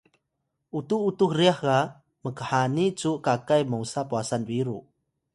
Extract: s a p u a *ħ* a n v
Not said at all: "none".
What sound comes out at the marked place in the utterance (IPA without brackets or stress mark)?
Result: s